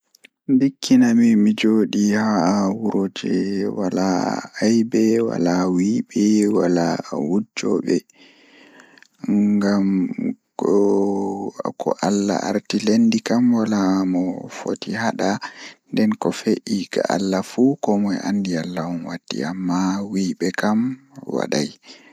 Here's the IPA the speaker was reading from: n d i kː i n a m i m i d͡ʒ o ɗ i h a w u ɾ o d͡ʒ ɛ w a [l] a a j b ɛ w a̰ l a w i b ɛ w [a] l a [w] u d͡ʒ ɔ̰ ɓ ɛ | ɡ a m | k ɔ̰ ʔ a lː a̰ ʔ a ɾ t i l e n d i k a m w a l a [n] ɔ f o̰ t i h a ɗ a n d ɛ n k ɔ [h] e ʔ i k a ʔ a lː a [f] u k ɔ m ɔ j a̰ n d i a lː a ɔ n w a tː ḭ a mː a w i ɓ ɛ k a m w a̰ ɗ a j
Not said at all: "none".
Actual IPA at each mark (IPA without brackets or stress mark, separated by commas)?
l, a, w, m, f, f